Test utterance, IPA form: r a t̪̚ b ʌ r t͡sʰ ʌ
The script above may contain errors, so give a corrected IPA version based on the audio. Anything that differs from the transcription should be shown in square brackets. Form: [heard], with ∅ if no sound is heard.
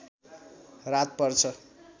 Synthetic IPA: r a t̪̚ [p] ʌ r t͡sʰ ʌ

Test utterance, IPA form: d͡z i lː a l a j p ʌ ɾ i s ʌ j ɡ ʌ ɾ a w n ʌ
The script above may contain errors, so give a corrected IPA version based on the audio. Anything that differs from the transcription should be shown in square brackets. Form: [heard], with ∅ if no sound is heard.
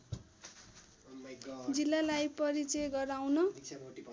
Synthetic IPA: d͡z i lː a l a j p ʌ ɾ i [t͡s] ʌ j ɡ ʌ ɾ a w n ʌ

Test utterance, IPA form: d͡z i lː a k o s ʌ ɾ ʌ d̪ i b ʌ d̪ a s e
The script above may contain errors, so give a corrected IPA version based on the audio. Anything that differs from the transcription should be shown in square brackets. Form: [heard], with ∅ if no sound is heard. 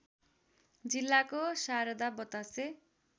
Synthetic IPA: d͡z i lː a k o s [a] ɾ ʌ d̪ [a] b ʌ [t̪] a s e

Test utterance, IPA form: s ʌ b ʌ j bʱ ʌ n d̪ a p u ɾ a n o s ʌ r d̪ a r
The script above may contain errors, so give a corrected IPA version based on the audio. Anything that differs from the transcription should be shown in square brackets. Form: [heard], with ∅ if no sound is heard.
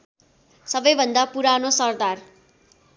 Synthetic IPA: s ʌ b ʌ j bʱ ʌ n d̪ a p u ɾ a n o s ʌ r d̪ a r

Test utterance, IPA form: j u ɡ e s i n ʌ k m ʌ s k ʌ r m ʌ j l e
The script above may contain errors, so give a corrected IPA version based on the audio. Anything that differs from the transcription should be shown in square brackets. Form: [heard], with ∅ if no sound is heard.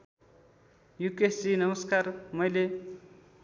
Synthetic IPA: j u [k] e s i n ʌ [∅] m ʌ s k [a] r m ʌ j l e

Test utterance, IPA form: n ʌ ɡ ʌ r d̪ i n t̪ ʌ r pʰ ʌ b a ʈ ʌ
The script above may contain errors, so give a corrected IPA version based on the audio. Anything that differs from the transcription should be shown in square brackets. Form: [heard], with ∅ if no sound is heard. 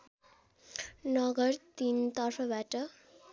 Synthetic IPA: n ʌ ɡ ʌ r [t̪] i n t̪ ʌ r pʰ ʌ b a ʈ ʌ

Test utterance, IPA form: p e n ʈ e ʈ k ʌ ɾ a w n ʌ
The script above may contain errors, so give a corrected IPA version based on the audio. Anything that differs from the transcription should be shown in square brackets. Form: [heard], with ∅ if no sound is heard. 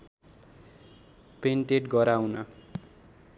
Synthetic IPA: p e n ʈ e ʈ [ɡ] ʌ ɾ a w n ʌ

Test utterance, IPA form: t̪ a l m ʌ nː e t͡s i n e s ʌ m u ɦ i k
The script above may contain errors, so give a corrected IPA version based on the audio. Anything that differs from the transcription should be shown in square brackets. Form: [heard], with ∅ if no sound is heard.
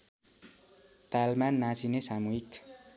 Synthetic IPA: t̪ a l m [a] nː [a] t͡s i n e s [a] m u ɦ i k

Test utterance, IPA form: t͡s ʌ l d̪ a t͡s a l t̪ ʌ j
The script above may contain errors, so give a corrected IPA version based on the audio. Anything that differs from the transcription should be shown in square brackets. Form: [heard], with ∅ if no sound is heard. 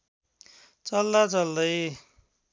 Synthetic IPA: t͡s ʌ l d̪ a t͡s [ʌ] l [d̪] ʌ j

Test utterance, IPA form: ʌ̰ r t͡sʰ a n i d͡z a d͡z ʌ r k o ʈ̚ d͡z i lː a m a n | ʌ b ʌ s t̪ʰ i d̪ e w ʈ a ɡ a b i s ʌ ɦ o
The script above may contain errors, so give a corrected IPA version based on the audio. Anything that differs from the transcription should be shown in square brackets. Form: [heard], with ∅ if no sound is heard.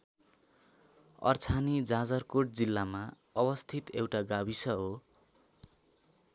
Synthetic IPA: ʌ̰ r t͡sʰ a n i d͡z a d͡z ʌ r k o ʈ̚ d͡z i lː a m a [∅] | ʌ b ʌ s t̪ʰ i [t̪] e w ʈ a ɡ a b i s ʌ ɦ o

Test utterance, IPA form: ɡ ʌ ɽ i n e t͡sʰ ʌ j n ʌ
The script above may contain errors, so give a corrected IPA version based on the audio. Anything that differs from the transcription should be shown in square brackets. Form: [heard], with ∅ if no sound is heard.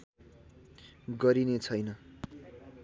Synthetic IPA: ɡ ʌ [ɾ] i n e t͡sʰ ʌ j n ʌ

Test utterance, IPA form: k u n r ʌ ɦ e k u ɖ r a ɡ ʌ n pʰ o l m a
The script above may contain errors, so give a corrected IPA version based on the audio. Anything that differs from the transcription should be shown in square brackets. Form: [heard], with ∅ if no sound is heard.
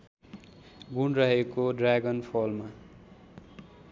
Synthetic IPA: [ɡ] u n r ʌ ɦ e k [o] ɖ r a ɡ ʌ n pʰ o l m a

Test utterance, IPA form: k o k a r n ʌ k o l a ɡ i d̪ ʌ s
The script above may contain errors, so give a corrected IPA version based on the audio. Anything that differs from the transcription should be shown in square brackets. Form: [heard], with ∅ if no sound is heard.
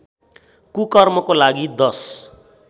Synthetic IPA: k [u] k [ʌ] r [m] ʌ k o l a ɡ i d̪ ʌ s

